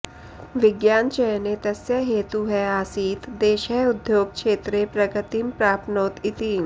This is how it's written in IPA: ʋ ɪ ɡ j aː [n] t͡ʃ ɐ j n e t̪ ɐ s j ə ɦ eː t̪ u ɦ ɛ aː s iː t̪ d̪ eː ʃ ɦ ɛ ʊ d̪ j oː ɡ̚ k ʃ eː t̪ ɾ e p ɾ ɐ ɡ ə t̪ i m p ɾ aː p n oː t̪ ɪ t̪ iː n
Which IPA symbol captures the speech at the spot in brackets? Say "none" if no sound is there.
n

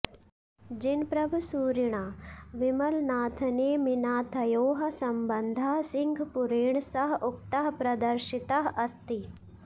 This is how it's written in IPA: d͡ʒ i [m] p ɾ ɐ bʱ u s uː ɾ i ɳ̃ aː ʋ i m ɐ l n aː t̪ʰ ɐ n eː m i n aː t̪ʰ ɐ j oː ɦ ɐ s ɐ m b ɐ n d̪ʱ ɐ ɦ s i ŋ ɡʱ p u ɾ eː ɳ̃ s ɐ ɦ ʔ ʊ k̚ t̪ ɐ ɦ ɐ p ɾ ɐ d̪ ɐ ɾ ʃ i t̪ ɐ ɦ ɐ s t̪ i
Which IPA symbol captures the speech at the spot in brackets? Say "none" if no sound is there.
n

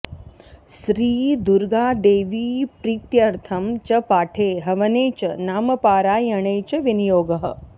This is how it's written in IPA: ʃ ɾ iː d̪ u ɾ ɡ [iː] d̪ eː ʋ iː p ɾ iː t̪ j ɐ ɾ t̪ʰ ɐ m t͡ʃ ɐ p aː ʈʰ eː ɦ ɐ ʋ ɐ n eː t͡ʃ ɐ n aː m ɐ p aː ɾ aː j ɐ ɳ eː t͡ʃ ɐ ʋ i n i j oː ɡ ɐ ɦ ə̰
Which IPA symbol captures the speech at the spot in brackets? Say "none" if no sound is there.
aː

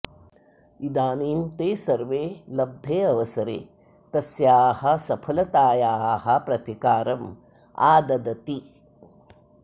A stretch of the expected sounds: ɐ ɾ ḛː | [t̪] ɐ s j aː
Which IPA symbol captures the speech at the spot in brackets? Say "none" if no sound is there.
t̪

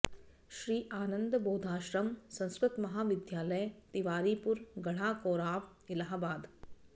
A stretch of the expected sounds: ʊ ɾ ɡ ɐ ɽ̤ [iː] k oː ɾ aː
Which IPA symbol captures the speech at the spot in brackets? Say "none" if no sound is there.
aː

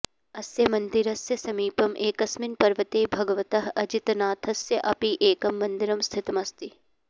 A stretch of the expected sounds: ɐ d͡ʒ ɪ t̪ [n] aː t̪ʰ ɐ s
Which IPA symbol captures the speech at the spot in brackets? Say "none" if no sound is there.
n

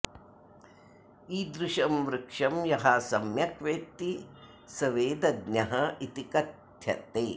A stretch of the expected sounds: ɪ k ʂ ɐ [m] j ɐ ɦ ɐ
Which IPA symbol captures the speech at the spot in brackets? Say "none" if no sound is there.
m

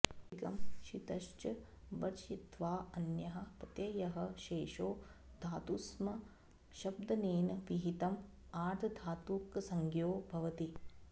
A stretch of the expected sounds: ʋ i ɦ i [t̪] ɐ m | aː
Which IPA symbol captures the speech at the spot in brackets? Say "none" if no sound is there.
t̪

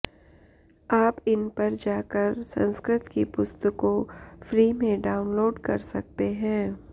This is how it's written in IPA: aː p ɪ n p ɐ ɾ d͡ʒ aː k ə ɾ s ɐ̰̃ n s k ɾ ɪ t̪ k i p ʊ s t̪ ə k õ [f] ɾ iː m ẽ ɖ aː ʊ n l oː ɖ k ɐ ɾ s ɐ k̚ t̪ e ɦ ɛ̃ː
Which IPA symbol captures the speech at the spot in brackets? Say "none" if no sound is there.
f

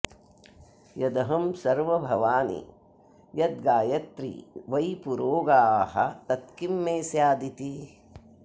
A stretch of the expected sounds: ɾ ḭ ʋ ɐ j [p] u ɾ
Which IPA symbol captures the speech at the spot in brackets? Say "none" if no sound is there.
p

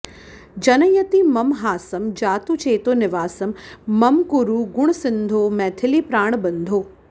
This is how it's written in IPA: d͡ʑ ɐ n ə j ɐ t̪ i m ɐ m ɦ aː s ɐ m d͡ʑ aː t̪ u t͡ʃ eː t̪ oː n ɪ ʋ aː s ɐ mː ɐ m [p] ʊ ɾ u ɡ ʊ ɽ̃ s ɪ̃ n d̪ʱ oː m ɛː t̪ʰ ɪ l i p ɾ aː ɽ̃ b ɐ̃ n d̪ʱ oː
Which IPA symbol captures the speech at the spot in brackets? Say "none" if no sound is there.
k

